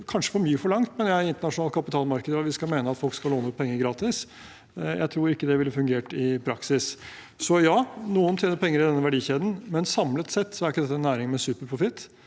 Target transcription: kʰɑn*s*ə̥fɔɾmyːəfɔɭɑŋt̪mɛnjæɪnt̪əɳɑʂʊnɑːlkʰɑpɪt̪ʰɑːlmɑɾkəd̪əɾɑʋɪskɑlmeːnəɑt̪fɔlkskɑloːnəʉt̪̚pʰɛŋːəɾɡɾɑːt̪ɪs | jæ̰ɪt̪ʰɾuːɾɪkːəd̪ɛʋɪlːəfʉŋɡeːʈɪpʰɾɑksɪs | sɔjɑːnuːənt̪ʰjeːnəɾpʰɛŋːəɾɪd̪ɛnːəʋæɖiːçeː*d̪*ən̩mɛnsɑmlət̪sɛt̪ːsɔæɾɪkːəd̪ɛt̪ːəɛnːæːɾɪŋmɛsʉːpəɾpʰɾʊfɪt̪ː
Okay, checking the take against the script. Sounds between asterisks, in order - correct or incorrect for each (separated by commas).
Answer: incorrect, correct